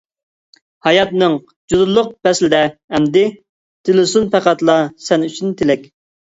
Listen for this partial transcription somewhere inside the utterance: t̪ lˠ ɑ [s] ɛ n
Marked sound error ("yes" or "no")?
no